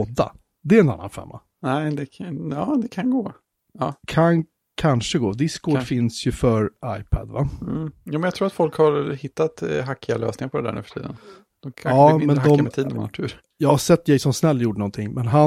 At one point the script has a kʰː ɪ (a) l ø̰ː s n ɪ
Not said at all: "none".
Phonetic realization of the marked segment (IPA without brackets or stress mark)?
a